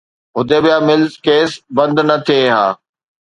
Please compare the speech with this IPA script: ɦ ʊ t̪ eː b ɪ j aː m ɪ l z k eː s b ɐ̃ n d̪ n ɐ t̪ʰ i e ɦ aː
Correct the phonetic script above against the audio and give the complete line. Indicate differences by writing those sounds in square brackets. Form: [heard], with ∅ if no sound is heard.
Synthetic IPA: ɦ ʊ [d̪] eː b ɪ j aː m ɪ l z k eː s b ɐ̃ n d̪ n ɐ t̪ʰ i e ɦ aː